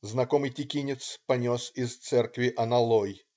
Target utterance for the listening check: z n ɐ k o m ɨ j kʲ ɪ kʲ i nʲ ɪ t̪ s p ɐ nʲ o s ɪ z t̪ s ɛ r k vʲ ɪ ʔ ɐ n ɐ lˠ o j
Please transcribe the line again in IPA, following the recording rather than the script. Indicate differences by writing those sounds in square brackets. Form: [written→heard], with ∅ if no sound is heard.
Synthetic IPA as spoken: z n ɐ k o m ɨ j [kʲ→tʲ] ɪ kʲ i nʲ ɪ t̪ s p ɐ nʲ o s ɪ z t̪ s ɛ r k vʲ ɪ ʔ ɐ n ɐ lˠ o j